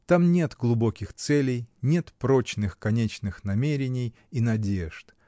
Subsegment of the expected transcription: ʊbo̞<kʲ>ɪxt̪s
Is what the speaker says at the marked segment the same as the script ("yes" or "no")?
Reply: yes